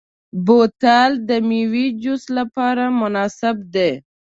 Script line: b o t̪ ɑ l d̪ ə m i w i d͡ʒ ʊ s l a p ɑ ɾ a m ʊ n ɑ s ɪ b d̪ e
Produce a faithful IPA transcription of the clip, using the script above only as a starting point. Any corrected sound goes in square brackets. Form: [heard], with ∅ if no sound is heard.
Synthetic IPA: b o t̪ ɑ l d̪ ə m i w i d͡ʒ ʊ s l a p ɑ ɾ a m ʊ n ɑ s ɪ b d̪ e